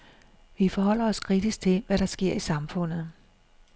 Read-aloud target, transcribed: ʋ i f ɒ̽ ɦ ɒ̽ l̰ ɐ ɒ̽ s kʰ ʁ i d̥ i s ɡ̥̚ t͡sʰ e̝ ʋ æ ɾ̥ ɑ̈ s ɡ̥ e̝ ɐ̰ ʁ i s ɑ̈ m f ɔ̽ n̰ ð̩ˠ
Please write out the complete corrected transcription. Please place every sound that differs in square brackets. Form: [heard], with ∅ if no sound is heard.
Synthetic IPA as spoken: ʋ i f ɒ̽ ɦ ɒ̽ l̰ ɐ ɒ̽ s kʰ ʁ i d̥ i s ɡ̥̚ t͡sʰ e̝ ʋ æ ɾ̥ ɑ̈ s ɡ̥ e̝ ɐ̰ [∅] i s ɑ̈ m f ɔ̽ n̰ ð̩ˠ

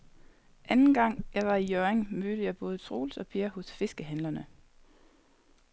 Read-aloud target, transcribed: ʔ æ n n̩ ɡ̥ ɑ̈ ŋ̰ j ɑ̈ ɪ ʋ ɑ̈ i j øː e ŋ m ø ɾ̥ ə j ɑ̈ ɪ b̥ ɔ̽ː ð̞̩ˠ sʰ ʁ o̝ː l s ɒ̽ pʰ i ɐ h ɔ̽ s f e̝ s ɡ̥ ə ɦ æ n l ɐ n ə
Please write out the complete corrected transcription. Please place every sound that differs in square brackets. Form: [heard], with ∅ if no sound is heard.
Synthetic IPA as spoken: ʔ æ n n̩ ɡ̥ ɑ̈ ŋ̰ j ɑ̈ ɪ ʋ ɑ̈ i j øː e ŋ m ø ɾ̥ ə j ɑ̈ ɪ b̥ ɔ̽ː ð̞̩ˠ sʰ ʁ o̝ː l s ɒ̽ pʰ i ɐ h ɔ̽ s f e̝ s ɡ̥ ə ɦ æ n l ɐ n ə

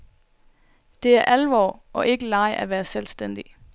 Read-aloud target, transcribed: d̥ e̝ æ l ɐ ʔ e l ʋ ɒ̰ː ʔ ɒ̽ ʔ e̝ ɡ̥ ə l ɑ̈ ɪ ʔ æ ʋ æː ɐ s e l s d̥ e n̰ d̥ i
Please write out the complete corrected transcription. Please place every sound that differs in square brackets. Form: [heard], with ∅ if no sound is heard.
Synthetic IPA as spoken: d̥ e̝ æ [∅] ɐ ʔ [æ] l ʋ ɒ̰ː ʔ ɒ̽ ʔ e̝ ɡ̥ ə l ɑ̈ ɪ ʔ æ ʋ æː ɐ s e l s d̥ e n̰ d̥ i

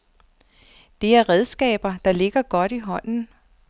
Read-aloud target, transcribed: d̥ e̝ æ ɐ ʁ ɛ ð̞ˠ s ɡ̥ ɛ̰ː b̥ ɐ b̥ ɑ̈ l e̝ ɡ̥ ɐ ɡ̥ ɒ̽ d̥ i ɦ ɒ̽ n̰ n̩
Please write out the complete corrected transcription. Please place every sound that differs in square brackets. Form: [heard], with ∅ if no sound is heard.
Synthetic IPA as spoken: d̥ e̝ æ ɐ ʁ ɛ ð̞ˠ s ɡ̥ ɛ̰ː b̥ ɐ [d̥] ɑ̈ l e̝ ɡ̥ ɐ ɡ̥ ɒ̽ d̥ i ɦ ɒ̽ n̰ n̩

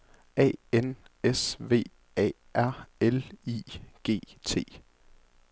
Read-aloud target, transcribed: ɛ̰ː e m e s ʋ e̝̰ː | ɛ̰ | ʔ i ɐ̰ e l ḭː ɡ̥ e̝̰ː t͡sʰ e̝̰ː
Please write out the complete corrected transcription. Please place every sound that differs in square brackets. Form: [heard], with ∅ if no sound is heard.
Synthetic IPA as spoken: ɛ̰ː e [n] e s ʋ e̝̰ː | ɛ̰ | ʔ [æ] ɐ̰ e l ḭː ɡ̥ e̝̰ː t͡sʰ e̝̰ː

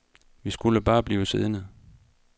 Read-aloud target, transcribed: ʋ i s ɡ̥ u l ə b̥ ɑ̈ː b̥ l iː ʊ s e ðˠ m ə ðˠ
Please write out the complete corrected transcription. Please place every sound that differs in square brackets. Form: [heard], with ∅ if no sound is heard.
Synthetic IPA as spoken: ʋ i s ɡ̥ u l ə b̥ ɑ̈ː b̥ l iː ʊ s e ðˠ [n] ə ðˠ

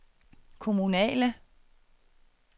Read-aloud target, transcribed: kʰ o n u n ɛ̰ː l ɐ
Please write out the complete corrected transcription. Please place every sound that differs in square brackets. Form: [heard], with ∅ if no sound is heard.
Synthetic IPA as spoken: kʰ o [m] u n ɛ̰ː l [ə]

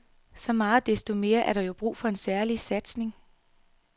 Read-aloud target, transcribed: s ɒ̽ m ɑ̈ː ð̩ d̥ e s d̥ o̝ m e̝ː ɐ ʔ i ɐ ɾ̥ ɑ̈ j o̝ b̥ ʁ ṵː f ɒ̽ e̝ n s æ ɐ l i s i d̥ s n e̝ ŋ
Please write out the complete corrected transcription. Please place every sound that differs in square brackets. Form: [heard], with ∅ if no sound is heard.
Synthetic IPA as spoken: s ɒ̽ m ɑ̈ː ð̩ d̥ e s d̥ o̝ m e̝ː ɐ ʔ [æ] ɐ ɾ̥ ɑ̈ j o̝ b̥ ʁ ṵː f ɒ̽ e̝ n s æ ɐ l i s [æ] d̥ s n e̝ ŋ

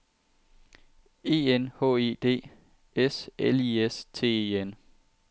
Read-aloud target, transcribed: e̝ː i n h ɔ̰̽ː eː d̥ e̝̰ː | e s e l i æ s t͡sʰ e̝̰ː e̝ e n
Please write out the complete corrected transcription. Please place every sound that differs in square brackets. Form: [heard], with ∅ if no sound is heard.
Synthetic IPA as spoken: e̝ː [e] n h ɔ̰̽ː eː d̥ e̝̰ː | e s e l i [e] s t͡sʰ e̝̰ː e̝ e n

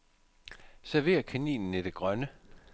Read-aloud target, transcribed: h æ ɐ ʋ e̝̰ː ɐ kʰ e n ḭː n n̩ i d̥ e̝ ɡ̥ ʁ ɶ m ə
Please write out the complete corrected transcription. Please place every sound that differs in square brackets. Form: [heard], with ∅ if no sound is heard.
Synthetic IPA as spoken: [s] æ ɐ ʋ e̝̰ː ɐ kʰ [æ] n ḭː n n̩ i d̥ e̝ ɡ̥ ʁ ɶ [n] ə

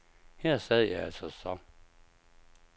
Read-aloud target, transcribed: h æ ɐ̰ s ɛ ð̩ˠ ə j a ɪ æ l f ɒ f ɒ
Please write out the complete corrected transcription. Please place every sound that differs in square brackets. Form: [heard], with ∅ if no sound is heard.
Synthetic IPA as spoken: h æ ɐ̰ s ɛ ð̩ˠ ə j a ɪ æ l [s] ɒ [s] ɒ

